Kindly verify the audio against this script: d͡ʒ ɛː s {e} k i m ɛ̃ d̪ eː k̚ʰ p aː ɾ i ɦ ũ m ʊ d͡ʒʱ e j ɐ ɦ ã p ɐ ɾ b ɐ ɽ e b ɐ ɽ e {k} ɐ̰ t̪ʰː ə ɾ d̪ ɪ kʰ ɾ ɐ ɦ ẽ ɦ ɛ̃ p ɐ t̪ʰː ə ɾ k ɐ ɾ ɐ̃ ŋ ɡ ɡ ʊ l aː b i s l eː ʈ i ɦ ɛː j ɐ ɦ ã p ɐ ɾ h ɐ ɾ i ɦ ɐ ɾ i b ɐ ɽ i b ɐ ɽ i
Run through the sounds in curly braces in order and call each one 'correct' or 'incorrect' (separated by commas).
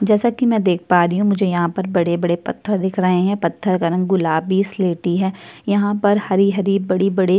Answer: incorrect, incorrect